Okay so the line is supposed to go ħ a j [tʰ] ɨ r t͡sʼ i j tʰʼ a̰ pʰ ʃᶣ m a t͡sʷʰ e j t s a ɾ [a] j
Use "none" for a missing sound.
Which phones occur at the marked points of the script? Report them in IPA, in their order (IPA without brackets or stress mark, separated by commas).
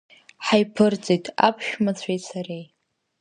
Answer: pʰ, e